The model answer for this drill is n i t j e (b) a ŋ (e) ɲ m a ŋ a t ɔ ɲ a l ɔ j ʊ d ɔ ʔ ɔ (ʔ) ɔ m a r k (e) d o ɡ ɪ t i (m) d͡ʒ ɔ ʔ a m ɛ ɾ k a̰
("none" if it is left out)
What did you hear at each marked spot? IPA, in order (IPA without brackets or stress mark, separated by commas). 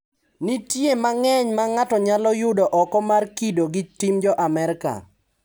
m, ɛ, k, i, m